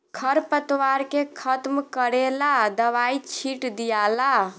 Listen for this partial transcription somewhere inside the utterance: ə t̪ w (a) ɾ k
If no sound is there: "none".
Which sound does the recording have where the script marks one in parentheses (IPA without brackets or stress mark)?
a